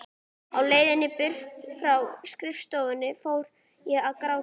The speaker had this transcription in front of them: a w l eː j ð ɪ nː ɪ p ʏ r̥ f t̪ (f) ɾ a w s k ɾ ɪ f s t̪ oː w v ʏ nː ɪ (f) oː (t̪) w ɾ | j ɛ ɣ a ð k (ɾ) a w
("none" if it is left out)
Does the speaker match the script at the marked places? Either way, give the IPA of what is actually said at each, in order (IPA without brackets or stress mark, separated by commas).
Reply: f, f, none, ɾ